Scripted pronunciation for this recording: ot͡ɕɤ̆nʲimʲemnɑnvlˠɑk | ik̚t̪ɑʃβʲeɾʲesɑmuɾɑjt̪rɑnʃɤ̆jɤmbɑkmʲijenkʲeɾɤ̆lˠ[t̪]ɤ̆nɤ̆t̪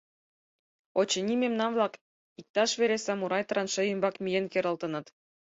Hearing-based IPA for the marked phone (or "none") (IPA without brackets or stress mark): t̪